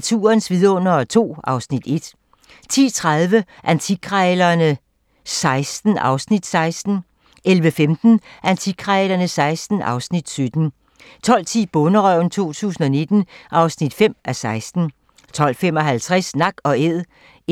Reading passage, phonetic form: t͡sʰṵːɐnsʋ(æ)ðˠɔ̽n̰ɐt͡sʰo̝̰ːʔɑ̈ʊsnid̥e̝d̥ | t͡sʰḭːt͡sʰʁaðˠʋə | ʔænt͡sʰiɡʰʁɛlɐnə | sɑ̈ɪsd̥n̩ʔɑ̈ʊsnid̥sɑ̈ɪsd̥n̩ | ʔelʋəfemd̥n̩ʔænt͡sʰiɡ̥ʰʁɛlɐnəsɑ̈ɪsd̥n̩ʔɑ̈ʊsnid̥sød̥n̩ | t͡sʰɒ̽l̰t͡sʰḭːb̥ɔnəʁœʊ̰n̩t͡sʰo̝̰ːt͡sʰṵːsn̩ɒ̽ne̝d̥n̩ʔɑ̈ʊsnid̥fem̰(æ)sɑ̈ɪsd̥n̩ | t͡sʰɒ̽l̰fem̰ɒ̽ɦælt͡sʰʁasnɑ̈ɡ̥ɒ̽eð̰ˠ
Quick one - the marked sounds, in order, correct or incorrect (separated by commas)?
incorrect, correct